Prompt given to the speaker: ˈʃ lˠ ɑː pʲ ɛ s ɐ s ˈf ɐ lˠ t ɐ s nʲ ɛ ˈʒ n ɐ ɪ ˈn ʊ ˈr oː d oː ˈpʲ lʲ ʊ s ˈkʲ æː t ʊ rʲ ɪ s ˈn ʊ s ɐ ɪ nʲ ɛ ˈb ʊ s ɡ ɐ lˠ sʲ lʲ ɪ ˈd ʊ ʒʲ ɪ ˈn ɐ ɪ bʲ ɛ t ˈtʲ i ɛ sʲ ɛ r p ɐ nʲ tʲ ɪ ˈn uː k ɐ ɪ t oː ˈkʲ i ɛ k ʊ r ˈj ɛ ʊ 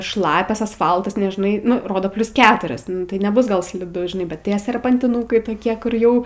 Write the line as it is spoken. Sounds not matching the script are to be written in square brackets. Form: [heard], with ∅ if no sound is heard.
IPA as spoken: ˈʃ lˠ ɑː pʲ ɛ s ɐ s ˈf ɐ lˠ t ɐ s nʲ ɛ ˈʒ n ɐ ɪ ˈn ʊ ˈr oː d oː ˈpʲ lʲ ʊ s ˈkʲ æː t ʊ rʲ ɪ s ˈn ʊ [t] ɐ ɪ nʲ ɛ ˈb ʊ s ɡ ɐ lˠ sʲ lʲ ɪ ˈd ʊ ʒʲ ɪ ˈn ɐ ɪ bʲ ɛ t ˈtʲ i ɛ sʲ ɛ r p ɐ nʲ tʲ ɪ ˈn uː k ɐ ɪ t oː ˈkʲ i ɛ k ʊ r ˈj ɛ ʊ